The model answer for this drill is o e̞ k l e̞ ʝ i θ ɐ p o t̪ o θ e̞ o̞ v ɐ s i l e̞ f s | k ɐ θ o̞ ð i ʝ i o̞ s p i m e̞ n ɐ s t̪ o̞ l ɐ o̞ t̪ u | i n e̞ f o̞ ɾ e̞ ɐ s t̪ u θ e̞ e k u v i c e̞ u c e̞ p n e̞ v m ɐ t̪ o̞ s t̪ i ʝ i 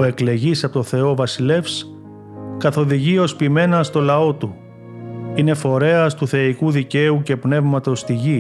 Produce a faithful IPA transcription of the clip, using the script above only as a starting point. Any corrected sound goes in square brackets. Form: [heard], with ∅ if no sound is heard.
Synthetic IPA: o e̞ k l e̞ ʝ i [s] ɐ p o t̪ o θ e̞ o̞ v ɐ s i l e̞ f s | k ɐ θ o̞ ð i ʝ i o̞ s p i m e̞ n ɐ s t̪ o̞ l ɐ o̞ t̪ u | i n e̞ f o̞ ɾ e̞ ɐ s t̪ u θ e̞ [i] k u [ð] i c e̞ u c e̞ p n e̞ v m ɐ t̪ o̞ s t̪ i ʝ i